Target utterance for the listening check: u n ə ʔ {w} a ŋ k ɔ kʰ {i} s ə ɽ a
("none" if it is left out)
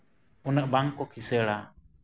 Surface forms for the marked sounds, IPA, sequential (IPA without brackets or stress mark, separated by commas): b, i